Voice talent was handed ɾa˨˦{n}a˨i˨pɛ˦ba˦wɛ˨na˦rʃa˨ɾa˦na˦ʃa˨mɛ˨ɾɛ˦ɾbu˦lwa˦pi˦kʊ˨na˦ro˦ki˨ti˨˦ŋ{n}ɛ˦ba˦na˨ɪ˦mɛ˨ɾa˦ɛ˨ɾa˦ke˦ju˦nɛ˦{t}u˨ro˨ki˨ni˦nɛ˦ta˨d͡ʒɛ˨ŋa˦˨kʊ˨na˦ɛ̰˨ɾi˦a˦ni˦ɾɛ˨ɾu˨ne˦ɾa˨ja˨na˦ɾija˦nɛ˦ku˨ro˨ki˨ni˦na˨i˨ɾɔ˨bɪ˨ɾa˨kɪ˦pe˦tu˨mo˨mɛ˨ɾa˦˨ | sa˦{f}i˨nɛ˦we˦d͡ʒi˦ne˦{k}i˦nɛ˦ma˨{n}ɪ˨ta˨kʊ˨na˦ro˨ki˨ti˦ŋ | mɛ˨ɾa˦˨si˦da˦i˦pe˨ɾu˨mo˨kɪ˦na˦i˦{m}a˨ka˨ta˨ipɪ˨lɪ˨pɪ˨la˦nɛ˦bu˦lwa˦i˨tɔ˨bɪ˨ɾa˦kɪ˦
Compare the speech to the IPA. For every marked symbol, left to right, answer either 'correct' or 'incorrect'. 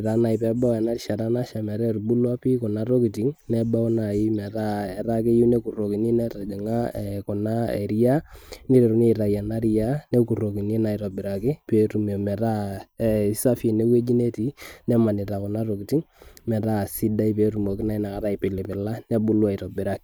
correct, correct, incorrect, correct, incorrect, correct, incorrect

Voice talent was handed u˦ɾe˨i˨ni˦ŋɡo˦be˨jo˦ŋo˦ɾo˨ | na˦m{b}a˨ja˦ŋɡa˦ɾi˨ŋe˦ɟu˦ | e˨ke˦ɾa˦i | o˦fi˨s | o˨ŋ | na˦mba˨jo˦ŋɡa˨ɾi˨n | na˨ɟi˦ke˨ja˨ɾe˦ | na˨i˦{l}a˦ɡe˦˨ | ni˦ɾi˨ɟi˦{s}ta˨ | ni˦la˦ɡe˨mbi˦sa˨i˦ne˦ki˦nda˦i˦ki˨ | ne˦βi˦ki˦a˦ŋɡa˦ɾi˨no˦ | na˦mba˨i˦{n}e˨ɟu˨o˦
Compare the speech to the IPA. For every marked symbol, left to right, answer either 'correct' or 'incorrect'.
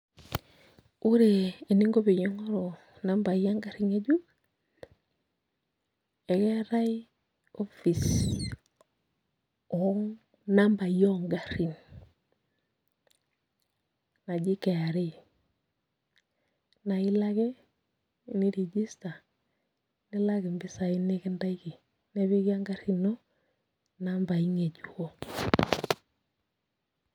correct, correct, correct, incorrect

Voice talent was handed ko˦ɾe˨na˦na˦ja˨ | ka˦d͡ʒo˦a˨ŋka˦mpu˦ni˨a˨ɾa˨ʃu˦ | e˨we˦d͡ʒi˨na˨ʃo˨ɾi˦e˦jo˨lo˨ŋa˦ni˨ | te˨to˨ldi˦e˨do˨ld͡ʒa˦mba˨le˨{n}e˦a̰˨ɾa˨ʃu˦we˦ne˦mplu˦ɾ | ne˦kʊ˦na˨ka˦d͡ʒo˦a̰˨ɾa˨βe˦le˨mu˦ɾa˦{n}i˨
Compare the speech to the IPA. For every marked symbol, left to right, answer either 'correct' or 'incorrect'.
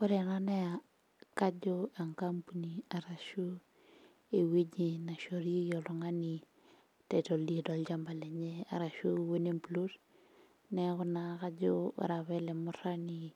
incorrect, correct

